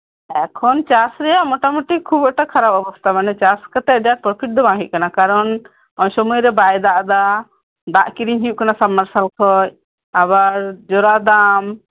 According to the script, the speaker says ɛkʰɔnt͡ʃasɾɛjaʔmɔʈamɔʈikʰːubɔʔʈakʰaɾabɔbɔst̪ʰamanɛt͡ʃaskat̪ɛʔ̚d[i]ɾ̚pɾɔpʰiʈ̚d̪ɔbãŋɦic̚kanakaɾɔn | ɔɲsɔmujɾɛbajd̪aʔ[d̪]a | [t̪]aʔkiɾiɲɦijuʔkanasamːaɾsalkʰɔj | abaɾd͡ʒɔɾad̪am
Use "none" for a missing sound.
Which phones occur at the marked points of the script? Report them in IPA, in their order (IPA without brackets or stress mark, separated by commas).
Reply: a, d̪, d̪